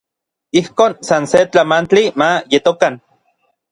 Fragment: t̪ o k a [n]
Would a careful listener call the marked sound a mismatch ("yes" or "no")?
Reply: no